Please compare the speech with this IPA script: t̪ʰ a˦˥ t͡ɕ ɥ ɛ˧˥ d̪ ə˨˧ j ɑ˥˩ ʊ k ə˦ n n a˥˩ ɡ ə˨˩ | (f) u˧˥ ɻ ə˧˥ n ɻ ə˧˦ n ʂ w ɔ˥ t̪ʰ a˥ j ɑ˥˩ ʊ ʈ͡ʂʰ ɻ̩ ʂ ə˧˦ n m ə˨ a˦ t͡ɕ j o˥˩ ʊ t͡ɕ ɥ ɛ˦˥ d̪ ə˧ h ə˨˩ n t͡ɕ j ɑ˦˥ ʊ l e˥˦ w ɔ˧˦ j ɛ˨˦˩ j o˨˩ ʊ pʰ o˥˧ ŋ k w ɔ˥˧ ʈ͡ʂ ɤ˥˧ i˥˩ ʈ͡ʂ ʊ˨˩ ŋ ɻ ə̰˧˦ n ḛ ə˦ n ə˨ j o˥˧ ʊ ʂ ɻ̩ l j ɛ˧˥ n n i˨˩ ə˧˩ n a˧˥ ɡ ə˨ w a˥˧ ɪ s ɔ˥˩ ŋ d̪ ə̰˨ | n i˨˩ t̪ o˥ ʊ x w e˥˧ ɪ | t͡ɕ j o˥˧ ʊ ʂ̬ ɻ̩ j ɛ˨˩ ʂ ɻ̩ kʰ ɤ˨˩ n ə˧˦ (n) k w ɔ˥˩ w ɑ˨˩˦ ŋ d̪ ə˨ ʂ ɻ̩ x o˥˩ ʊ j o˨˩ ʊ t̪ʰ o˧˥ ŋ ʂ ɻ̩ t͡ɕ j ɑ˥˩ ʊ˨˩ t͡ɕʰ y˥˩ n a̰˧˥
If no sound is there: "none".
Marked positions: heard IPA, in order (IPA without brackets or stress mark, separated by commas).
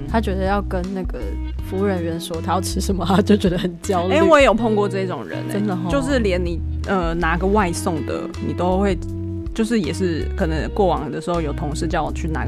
f, ŋ